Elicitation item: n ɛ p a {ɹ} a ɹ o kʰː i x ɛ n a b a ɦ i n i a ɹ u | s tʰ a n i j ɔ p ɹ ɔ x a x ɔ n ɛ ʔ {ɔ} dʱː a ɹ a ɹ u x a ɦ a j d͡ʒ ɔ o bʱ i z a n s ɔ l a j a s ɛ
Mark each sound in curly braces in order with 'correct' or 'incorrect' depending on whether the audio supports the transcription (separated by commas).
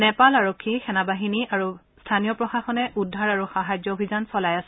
incorrect, incorrect